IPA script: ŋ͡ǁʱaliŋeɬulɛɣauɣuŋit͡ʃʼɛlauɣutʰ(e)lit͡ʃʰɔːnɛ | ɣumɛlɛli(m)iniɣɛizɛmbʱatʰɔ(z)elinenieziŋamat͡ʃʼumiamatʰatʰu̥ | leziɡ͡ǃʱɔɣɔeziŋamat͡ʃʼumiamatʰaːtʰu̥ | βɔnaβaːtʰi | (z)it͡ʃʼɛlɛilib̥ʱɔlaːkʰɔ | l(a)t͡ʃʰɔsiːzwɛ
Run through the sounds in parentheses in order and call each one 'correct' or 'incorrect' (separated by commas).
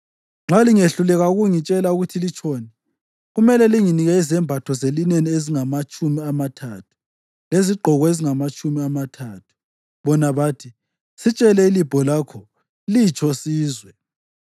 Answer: incorrect, incorrect, correct, incorrect, incorrect